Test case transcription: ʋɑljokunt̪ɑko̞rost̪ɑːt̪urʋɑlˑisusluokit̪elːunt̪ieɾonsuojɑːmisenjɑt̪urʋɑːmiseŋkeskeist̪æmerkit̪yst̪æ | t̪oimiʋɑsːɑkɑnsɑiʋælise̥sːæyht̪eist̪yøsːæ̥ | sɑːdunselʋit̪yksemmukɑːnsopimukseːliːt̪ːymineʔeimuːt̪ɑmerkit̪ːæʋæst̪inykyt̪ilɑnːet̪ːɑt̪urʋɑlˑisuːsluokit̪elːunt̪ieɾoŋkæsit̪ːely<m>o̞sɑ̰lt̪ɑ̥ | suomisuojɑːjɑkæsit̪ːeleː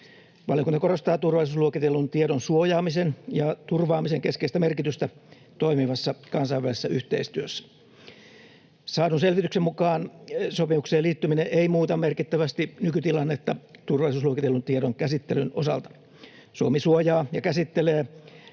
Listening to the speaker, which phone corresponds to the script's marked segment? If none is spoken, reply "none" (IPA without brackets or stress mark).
n